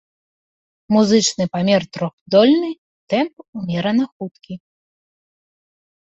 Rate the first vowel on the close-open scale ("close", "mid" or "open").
close